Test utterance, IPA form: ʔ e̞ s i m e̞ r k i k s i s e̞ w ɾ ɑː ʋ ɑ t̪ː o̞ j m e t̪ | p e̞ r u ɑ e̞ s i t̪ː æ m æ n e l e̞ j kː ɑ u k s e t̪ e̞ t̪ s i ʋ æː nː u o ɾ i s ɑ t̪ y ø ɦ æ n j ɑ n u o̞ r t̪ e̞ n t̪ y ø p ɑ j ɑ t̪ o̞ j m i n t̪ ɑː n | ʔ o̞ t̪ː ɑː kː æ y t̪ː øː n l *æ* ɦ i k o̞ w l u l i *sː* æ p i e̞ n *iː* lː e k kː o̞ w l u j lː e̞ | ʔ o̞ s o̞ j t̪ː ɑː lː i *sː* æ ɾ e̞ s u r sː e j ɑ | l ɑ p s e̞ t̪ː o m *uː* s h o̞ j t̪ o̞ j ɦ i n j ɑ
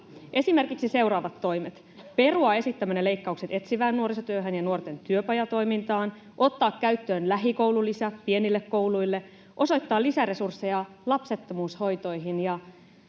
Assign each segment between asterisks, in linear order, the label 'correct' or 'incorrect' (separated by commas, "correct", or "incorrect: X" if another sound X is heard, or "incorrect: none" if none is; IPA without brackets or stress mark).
correct, incorrect: s, incorrect: i, incorrect: s, correct